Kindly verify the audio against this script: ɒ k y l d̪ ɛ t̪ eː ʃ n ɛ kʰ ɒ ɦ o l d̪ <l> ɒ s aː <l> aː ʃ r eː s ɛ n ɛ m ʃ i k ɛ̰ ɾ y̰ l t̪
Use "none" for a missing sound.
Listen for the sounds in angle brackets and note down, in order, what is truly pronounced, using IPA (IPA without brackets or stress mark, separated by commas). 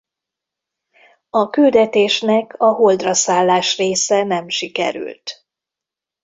r, lː